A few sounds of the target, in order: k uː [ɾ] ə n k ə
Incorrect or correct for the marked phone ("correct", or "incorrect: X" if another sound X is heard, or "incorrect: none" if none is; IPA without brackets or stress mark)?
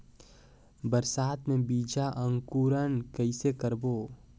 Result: correct